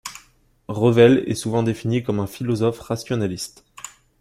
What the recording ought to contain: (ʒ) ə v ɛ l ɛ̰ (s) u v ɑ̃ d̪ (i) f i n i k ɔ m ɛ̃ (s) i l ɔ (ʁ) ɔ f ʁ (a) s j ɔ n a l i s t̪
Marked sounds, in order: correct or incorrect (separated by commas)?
incorrect, correct, incorrect, incorrect, incorrect, correct